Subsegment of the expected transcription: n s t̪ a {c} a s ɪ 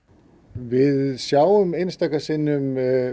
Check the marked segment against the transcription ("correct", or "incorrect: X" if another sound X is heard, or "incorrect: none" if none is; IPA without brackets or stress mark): incorrect: k